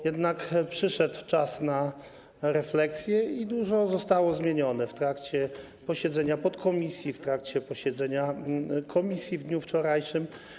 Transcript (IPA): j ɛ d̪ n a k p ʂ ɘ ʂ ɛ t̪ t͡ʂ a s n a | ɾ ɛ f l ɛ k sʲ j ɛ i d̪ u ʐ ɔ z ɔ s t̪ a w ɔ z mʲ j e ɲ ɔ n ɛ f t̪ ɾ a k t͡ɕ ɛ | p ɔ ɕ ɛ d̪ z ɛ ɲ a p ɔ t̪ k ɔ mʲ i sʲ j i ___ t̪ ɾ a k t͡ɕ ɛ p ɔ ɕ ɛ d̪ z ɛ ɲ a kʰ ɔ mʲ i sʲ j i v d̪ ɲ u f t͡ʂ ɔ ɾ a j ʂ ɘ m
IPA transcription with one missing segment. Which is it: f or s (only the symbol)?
f